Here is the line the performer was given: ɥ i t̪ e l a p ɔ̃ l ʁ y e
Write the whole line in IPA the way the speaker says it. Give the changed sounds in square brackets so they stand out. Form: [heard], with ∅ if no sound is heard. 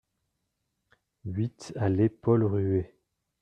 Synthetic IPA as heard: ɥ i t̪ [a] l [e] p [ɔ] l ʁ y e